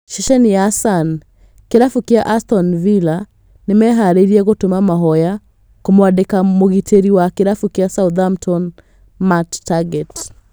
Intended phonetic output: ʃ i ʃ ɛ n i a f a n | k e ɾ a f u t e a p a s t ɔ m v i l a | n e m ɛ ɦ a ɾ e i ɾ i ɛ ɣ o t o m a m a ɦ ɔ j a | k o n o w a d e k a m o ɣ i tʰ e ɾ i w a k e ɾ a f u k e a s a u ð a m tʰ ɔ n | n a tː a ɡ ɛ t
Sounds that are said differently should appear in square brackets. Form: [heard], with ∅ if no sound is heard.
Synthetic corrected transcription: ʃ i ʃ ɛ n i a [s] a n | k e ɾ a f u [k] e a [ʔ] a s t ɔ [n] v i l a | n e m ɛ ɦ a ɾ e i ɾ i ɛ ɣ o t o m a m a ɦ ɔ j a | k o [m] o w a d e k a m o ɣ i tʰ e ɾ i w a k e ɾ a f u k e a s a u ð a m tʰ ɔ n | [m] a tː a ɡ ɛ t